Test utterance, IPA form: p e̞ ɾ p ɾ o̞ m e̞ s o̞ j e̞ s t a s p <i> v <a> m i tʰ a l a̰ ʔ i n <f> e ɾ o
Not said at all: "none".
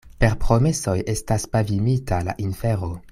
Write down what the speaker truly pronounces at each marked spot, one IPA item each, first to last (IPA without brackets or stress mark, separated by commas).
a, i, f